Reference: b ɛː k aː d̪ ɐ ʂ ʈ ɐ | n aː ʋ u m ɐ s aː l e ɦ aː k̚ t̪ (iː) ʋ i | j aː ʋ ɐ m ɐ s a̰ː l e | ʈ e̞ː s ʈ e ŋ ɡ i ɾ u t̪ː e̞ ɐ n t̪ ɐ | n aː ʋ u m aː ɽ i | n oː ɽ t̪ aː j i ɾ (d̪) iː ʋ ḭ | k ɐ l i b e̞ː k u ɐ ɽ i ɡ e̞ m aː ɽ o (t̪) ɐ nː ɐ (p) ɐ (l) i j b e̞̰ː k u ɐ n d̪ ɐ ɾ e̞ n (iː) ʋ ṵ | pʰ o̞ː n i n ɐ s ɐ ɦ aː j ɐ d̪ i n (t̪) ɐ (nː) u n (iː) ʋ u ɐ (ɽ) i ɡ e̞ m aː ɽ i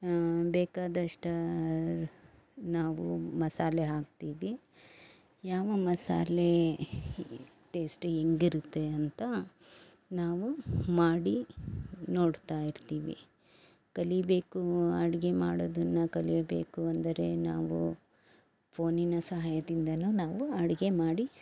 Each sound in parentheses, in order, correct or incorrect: correct, incorrect, incorrect, incorrect, correct, incorrect, incorrect, incorrect, incorrect, correct

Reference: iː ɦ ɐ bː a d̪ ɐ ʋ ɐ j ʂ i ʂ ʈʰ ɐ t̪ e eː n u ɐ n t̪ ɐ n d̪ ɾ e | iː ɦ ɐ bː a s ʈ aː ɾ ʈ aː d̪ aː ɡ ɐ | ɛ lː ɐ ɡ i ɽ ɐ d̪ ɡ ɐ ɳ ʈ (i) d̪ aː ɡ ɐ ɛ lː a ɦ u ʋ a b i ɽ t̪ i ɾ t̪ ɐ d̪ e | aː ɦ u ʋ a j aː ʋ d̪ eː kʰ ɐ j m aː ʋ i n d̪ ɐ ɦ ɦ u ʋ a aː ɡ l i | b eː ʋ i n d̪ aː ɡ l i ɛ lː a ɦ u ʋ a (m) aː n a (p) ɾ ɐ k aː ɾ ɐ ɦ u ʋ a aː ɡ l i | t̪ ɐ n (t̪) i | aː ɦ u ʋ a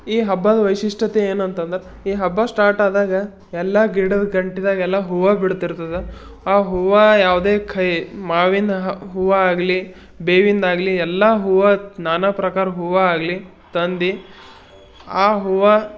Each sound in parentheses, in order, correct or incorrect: correct, incorrect, correct, incorrect

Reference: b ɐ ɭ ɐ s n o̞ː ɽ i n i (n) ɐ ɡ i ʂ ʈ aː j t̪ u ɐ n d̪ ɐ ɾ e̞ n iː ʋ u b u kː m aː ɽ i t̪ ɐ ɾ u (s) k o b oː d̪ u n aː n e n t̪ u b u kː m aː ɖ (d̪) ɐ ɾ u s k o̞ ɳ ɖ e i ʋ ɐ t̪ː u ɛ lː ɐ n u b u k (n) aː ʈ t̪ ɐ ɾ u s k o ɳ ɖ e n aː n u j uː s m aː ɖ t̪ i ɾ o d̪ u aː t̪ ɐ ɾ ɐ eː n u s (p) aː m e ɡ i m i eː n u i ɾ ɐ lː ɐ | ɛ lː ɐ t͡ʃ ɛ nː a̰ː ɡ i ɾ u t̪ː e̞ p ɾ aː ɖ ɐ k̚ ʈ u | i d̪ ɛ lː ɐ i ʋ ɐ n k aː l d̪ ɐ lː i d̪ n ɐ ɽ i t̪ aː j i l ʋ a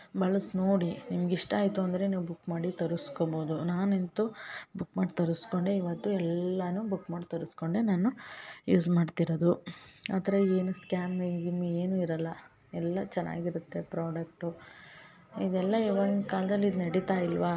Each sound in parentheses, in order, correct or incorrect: incorrect, correct, incorrect, incorrect, incorrect

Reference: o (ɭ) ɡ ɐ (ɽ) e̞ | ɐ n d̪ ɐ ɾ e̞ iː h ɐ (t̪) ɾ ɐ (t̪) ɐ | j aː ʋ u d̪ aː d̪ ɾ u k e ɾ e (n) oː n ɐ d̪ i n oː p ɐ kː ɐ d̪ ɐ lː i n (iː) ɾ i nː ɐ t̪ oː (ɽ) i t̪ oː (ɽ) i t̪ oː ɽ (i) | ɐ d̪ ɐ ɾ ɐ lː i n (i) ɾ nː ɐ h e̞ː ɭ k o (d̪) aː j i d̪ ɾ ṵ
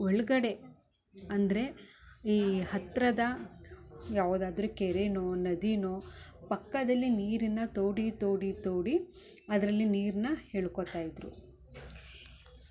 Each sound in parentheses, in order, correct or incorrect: correct, correct, correct, incorrect, correct, correct, correct, correct, correct, incorrect, incorrect

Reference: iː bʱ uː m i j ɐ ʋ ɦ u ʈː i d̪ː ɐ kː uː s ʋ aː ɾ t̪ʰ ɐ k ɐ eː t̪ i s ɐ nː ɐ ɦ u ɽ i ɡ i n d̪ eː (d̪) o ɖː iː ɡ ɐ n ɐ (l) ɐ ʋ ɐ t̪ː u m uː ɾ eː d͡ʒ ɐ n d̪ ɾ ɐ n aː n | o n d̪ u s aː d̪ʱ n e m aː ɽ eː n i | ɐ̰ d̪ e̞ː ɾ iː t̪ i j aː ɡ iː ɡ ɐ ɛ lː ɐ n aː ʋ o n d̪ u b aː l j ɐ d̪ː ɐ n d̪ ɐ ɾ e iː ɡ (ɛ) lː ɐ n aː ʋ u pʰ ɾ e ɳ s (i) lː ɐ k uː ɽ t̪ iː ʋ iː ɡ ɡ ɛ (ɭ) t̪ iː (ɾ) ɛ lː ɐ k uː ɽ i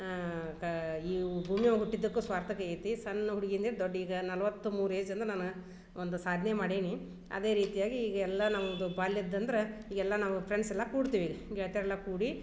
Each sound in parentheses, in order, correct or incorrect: correct, correct, correct, incorrect, correct, correct

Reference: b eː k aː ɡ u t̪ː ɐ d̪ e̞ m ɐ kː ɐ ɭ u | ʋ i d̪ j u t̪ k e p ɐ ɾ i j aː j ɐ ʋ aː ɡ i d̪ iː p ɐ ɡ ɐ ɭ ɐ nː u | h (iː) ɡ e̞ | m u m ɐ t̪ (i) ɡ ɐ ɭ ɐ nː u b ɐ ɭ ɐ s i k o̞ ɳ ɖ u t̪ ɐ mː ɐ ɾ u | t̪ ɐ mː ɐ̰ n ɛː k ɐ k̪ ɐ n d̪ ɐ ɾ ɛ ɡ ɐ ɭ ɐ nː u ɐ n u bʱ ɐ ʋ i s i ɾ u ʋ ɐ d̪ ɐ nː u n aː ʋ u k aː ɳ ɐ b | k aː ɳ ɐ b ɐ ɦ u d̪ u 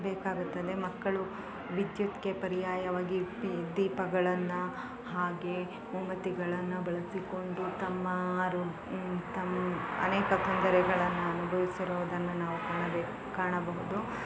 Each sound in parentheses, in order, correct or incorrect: incorrect, correct

